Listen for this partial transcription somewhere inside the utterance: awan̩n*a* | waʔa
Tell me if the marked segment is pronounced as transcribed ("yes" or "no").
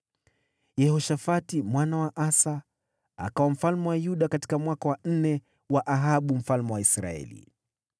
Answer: no